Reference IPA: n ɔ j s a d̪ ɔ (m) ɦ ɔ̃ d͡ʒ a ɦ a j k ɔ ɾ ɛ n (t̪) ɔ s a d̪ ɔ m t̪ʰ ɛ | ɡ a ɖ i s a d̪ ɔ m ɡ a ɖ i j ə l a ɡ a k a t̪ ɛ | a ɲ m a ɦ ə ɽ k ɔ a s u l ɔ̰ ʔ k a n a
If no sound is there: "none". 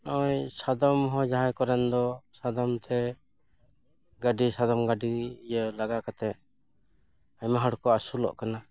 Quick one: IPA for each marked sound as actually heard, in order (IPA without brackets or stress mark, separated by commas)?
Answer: m, d̪